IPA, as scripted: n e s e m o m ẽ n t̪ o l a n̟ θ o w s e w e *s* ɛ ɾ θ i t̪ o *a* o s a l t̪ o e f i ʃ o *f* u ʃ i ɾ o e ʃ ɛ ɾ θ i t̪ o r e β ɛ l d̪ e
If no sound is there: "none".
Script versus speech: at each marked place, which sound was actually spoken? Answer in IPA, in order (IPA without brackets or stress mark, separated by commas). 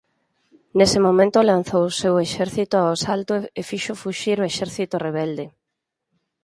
ʃ, a, f